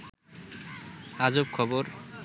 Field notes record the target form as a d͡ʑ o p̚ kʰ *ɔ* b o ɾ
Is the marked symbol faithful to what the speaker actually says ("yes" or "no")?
yes